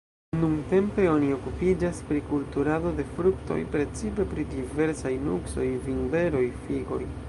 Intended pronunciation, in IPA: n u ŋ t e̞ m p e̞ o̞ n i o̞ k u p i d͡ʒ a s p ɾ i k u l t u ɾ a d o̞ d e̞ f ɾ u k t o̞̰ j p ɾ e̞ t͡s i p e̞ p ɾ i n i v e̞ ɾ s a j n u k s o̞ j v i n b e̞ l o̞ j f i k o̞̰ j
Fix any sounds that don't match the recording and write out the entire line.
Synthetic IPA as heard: n u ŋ t e̞ m p e̞ o̞ n i o̞ k u p i d͡ʒ a s p ɾ i k u l t u ɾ a d o̞ d e̞ f ɾ u k t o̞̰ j p ɾ e̞ t͡s i p e̞ p ɾ i d i v e̞ ɾ s a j n u k s o̞ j v i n b e̞ ɾ o̞ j f i ɡ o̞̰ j